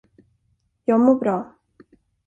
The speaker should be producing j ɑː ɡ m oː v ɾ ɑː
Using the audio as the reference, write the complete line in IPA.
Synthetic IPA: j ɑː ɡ m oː b ɾ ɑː

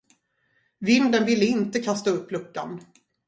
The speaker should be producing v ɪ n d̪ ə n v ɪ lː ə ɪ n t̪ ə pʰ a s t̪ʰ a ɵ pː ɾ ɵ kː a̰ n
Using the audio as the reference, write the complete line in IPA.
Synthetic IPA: v ɪ n d̪ ə n v ɪ lː ə ɪ n t̪ ə kʰ a s t̪ a ɵ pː l ɵ kː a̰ n

